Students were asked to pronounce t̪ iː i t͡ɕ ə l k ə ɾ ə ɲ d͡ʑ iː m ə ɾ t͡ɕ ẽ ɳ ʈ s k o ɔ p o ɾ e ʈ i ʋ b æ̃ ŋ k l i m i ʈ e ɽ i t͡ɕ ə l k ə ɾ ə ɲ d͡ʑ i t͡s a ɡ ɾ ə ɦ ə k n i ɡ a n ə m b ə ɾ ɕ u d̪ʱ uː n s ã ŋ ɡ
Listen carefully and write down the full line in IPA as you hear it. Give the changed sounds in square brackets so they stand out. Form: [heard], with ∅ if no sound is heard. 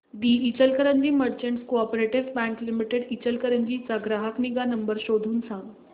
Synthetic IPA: [d̪] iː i t͡ɕ ə l k ə ɾ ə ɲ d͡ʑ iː m ə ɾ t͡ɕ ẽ ɳ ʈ s k o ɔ p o ɾ e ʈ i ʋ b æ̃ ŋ k l i m i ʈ e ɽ i t͡ɕ ə l k ə ɾ ə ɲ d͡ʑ i t͡s a ɡ ɾ [a] ɦ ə k n i ɡ a n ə m b ə ɾ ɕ [o] d̪ʱ uː n s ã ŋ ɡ